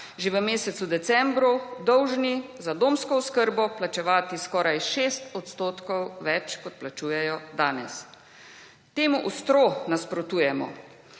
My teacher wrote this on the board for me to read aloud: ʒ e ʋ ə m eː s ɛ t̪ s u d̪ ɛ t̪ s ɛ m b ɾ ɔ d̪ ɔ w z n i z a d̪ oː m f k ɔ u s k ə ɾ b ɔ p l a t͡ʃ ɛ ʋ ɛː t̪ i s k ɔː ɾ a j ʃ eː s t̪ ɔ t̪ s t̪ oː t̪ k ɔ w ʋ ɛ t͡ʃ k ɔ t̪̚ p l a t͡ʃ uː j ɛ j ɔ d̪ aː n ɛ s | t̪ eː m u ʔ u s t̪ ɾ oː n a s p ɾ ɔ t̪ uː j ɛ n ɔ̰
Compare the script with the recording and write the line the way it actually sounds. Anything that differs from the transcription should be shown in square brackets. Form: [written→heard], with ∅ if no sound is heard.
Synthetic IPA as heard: ʒ e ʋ ə m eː s ɛ t̪ s u d̪ ɛ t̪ s ɛ m b ɾ [ɔ→u] d̪ ɔ w [z→ʒ] n i z a d̪ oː m [f→s] k ɔ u s k ə ɾ b ɔ p l a t͡ʃ ɛ ʋ [ɛː→aː] t̪ i s k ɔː ɾ a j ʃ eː s t̪ ɔ t̪ s t̪ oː t̪ k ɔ w ʋ ɛ t͡ʃ k ɔ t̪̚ p l a t͡ʃ uː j ɛ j ɔ d̪ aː n ɛ s | t̪ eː m u ʔ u s t̪ ɾ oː n a s p ɾ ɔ t̪ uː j ɛ [n→m] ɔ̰